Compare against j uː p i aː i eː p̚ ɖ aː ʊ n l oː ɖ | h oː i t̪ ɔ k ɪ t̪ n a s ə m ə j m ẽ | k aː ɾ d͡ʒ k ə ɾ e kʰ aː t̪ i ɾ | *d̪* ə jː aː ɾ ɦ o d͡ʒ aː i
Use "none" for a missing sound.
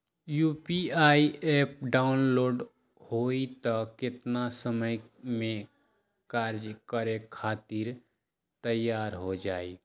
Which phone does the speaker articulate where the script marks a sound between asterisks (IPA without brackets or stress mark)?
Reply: t̪